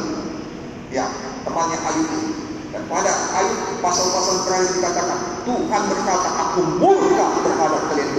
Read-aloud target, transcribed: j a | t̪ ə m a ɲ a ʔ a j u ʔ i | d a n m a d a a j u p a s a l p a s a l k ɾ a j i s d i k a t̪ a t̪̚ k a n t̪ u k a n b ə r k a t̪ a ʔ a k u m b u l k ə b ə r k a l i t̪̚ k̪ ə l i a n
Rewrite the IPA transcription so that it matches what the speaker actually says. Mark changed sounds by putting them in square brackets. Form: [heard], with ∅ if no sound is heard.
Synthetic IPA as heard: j a | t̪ ə m a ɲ a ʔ a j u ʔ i | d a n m a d a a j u p a s a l p a s a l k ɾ a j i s d i k a t̪ a [∅] k a n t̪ u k a n b ə r k a t̪ a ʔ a k u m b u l k [a] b ə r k a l [a] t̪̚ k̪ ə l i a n